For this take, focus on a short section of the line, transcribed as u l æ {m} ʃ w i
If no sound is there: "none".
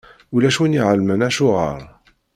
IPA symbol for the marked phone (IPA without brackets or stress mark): none